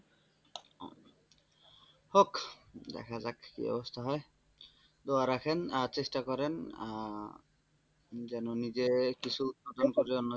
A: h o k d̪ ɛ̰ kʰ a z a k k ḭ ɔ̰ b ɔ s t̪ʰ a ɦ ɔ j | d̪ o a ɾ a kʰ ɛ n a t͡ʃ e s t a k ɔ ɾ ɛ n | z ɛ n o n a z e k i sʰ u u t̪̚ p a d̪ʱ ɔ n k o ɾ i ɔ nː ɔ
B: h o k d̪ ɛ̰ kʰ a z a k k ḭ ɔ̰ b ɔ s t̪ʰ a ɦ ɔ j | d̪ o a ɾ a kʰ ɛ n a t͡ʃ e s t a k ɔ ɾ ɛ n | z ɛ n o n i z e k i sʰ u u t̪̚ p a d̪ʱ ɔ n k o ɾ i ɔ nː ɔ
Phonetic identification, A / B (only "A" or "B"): B